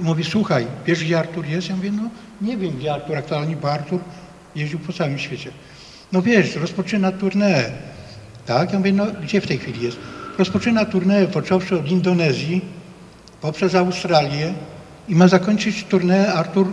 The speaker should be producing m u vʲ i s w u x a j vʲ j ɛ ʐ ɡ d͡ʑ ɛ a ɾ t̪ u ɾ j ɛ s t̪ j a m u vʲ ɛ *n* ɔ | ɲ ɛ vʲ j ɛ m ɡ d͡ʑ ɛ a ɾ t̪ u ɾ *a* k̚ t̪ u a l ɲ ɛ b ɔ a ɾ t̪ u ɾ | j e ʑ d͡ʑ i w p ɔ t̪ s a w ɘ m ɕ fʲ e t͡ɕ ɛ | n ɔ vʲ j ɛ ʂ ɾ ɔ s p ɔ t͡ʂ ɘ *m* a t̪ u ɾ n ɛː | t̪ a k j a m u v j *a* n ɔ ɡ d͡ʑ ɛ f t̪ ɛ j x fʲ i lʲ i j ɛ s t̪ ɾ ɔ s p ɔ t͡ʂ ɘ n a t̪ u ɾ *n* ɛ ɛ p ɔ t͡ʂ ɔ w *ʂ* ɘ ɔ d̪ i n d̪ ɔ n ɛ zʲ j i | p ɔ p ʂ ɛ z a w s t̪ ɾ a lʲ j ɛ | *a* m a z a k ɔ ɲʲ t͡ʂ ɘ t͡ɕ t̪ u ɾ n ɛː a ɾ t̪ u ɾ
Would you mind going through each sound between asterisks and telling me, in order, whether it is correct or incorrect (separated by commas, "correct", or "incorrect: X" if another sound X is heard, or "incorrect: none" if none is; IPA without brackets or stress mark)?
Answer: correct, correct, incorrect: n, incorrect: ɛ, correct, correct, incorrect: i